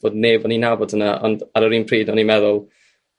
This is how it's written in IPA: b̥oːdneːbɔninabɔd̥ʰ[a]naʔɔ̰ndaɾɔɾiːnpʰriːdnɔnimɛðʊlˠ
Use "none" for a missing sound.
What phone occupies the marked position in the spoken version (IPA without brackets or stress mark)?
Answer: ə